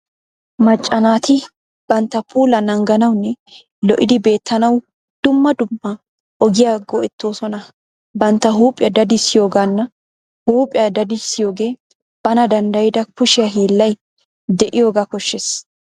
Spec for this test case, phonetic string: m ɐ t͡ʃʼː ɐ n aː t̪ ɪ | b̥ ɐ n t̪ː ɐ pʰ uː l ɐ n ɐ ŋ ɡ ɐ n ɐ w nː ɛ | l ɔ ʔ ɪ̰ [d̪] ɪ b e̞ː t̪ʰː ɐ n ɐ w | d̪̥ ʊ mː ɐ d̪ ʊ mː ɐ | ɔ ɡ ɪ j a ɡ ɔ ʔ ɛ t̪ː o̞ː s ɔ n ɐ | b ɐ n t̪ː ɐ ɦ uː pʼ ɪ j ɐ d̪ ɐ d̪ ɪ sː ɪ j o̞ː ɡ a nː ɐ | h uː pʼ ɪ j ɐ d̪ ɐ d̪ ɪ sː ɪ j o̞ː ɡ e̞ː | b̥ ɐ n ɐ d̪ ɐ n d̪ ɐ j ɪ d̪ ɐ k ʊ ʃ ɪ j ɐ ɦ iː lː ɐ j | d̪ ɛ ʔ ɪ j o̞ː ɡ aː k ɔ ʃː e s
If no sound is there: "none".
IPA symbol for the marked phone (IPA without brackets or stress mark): d̪